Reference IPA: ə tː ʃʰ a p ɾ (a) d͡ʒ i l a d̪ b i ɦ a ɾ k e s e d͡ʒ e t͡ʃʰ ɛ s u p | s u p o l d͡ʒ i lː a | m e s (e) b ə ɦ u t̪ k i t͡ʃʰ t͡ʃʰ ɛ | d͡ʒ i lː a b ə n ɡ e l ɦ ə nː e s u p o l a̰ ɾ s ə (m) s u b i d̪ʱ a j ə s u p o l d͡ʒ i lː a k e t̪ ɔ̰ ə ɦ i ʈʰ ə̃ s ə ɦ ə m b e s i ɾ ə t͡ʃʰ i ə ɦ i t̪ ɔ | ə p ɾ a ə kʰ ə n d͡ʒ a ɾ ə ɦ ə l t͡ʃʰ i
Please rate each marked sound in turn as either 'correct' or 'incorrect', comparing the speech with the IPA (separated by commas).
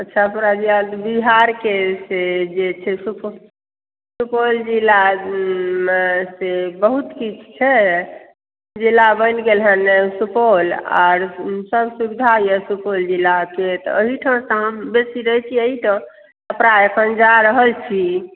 correct, correct, incorrect